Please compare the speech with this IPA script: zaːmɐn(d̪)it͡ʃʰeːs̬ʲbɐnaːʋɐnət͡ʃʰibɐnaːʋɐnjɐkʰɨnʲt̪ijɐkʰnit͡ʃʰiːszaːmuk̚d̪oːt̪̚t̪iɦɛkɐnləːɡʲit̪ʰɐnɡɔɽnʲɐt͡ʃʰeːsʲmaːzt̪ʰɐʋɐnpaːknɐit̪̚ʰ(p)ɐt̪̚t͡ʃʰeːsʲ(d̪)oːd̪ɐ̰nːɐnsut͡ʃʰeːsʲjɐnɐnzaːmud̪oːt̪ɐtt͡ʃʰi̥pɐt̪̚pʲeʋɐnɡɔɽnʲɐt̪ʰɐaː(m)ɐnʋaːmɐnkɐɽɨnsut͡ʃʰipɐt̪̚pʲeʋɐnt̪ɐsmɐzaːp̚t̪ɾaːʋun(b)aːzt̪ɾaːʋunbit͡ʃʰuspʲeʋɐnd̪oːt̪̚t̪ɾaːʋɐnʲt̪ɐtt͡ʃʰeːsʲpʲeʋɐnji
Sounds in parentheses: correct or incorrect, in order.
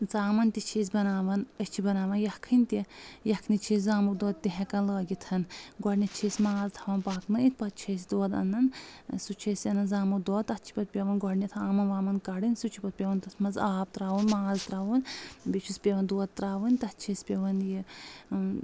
incorrect: t̪, correct, correct, correct, incorrect: m

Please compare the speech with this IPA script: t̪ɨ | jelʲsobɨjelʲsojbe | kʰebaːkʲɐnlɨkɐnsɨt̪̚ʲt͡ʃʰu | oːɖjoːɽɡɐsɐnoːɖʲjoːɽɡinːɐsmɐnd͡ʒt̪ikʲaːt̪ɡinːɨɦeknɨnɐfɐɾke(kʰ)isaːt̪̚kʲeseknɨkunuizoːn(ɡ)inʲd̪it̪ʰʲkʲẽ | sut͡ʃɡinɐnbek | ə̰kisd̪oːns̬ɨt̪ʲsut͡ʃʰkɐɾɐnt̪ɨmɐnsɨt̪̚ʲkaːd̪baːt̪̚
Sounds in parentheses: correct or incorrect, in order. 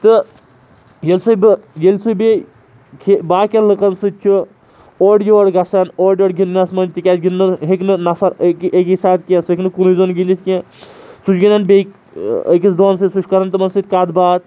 incorrect: k, correct

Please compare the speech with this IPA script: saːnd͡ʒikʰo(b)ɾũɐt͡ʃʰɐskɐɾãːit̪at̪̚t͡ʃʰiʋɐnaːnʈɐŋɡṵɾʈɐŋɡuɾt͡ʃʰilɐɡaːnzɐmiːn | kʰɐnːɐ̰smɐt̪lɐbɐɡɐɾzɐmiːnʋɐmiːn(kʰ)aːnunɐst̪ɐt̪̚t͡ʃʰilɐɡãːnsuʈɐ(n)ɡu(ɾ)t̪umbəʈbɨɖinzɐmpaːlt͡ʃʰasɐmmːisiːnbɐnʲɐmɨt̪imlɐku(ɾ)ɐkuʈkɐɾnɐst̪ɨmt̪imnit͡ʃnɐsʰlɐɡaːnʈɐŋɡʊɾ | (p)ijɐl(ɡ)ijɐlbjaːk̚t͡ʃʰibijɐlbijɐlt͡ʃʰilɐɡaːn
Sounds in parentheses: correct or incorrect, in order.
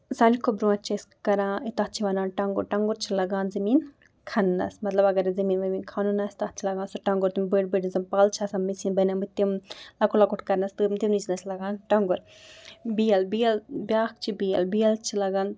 correct, correct, incorrect: ŋ, correct, incorrect: l, incorrect: b, incorrect: b

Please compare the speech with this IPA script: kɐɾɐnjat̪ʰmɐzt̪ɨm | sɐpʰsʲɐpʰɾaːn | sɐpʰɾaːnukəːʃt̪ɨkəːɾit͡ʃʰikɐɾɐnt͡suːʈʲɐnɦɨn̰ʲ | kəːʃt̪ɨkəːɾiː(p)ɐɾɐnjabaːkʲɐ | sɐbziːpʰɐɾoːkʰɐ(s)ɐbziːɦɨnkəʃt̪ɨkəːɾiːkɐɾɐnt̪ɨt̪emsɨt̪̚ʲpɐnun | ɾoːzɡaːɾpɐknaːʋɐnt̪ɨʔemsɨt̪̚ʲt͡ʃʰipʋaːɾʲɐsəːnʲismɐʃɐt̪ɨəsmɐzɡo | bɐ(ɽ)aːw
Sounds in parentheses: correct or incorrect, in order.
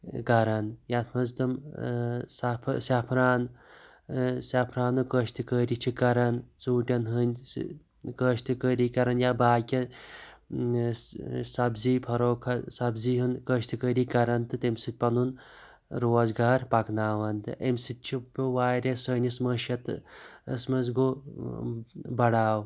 incorrect: k, correct, correct

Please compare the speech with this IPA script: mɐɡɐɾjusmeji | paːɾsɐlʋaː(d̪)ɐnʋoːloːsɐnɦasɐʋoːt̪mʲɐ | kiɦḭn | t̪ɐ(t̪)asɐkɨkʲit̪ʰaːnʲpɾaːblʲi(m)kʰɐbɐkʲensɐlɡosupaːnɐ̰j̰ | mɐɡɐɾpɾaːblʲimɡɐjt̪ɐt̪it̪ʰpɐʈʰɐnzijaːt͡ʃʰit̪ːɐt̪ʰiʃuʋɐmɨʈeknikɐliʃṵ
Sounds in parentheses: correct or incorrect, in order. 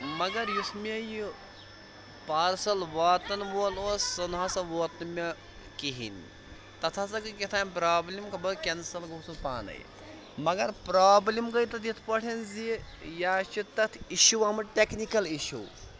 incorrect: t̪, incorrect: t̪ʰ, correct

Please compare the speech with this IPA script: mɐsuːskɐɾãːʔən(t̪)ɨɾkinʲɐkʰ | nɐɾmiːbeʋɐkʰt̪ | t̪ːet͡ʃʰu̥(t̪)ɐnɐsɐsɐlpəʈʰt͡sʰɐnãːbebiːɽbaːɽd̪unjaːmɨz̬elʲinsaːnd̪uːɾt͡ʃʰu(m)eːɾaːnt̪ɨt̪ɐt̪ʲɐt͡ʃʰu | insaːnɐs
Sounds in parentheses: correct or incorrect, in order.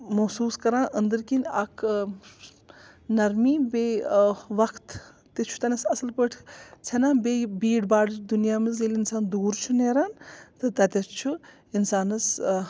incorrect: d̪, correct, incorrect: n

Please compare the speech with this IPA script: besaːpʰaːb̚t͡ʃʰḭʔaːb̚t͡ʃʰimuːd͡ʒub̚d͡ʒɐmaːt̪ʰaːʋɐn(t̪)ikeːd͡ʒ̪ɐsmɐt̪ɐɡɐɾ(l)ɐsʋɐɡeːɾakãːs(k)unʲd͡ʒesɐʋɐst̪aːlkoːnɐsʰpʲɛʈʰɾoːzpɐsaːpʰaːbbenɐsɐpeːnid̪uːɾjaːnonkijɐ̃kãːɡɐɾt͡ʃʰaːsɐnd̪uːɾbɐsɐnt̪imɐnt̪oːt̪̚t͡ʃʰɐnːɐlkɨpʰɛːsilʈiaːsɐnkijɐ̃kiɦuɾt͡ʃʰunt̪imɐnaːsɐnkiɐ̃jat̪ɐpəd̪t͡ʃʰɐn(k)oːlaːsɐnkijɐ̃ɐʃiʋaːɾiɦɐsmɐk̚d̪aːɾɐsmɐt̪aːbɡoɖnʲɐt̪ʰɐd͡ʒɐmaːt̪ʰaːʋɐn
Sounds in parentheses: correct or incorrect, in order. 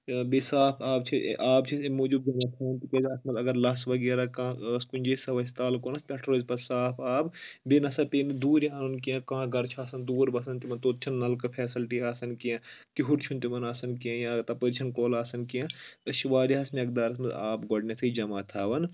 correct, correct, correct, correct

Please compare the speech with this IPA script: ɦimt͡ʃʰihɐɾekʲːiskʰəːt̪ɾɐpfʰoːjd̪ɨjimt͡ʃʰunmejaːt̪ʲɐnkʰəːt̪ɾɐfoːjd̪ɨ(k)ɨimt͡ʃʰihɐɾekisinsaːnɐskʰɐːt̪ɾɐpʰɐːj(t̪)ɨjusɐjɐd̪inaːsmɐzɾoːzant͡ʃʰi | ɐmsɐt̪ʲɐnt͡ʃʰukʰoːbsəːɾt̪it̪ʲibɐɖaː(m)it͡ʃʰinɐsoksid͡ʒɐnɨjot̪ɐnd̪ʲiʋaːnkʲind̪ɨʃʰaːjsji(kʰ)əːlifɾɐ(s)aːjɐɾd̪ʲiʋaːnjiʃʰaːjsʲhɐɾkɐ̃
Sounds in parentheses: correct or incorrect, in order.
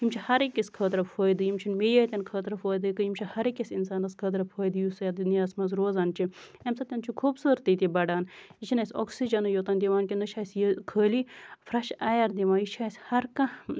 correct, incorrect: d̪, incorrect: n, correct, incorrect: ʃ

